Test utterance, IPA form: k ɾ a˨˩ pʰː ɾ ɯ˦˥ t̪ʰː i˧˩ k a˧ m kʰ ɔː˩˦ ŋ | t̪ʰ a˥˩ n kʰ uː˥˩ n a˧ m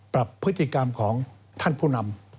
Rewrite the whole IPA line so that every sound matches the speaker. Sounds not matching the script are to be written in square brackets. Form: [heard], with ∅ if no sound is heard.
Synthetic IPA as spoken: [p] ɾ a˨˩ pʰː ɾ ɯ˦˥ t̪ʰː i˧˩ k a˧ m kʰ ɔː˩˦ ŋ | t̪ʰ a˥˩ n [pʰ] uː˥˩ n a˧ m